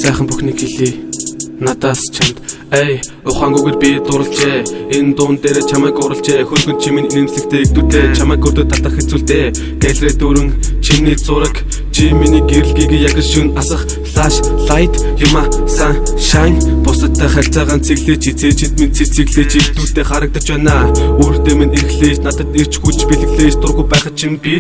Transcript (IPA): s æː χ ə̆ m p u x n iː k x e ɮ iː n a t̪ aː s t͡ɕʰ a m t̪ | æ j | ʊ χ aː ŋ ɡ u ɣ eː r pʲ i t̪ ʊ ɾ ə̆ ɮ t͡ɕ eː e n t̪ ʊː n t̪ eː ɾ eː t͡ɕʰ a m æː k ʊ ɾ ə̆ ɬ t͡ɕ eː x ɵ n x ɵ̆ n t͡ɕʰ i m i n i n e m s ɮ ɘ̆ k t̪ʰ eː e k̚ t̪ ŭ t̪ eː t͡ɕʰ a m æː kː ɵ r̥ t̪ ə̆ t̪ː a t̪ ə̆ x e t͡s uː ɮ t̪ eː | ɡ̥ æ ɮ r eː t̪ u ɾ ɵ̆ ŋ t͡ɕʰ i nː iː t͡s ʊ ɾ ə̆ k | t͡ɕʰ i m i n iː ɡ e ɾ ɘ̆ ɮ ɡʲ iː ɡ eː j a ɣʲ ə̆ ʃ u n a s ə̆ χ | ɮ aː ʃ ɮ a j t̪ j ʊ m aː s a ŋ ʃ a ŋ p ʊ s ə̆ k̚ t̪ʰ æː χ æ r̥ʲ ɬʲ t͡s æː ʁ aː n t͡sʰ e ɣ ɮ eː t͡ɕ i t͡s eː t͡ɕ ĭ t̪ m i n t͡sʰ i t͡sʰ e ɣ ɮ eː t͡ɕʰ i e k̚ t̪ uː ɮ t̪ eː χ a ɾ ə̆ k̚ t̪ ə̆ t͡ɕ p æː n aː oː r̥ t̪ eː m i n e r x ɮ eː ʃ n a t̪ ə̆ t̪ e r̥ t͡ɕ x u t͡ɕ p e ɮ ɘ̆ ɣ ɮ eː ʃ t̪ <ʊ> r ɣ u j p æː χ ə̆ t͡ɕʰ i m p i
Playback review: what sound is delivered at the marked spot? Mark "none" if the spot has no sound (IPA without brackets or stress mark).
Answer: ʊ